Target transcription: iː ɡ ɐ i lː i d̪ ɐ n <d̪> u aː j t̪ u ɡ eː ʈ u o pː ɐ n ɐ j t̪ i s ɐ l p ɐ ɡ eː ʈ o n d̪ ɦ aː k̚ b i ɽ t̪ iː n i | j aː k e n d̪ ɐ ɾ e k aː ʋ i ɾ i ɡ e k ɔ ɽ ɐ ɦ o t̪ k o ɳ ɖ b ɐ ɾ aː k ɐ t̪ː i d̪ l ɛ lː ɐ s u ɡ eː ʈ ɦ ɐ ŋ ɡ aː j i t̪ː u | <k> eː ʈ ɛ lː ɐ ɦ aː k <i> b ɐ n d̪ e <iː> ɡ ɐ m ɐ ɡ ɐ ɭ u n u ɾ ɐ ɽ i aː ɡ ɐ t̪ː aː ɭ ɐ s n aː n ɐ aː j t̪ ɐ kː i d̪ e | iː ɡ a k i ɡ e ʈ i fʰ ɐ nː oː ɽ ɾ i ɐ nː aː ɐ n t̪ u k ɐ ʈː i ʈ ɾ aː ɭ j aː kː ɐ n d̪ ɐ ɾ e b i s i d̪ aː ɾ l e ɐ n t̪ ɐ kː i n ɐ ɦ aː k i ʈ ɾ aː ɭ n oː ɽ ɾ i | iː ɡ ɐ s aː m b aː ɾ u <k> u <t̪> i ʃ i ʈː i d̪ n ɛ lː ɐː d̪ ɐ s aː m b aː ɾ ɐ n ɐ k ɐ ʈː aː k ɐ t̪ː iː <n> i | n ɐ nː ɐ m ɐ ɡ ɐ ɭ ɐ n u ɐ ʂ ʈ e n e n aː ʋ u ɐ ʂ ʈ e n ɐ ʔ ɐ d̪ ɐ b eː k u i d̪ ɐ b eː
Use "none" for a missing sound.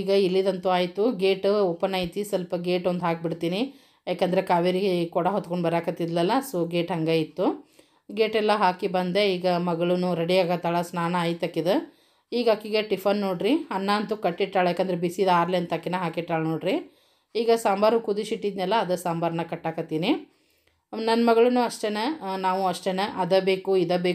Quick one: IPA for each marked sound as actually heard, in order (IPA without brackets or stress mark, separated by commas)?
t̪, ɡ, i, iː, k, d̪, n